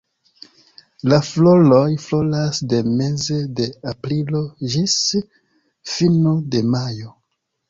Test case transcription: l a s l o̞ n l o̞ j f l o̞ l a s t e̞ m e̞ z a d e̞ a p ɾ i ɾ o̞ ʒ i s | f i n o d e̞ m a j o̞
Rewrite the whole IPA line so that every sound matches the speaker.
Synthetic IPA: l a f l o̞ l o̞ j f l o̞ l a s d e̞ m e̞ z e d e̞ a p ɾ i l o̞ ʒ i s | f i n o d e̞ m a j o̞